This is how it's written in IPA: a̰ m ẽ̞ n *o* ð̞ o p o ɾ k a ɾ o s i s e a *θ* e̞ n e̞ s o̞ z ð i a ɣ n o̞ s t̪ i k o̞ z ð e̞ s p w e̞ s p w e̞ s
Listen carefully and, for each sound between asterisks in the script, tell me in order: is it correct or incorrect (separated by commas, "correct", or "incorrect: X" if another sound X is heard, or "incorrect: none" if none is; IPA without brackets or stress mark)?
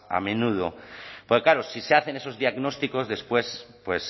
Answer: incorrect: u, correct